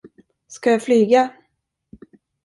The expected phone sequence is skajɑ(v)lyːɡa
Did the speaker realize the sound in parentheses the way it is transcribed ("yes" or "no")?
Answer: no